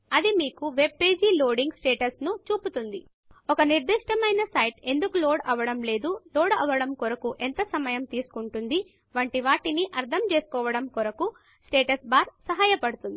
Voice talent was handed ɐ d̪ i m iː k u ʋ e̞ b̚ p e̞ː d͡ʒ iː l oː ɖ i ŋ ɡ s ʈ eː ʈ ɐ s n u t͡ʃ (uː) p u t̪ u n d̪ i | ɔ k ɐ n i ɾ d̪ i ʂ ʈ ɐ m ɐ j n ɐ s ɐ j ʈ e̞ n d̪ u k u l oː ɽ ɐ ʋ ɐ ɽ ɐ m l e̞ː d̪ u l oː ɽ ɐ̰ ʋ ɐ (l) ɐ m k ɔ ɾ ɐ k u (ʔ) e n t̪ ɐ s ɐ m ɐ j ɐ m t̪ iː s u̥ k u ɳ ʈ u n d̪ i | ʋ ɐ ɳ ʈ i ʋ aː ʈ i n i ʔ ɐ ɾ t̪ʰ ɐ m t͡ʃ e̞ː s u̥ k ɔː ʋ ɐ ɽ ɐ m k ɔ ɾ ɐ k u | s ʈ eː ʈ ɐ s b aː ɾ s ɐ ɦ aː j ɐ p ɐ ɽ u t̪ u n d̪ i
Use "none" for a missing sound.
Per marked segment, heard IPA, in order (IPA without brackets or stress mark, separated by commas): uː, ɽ, ʔ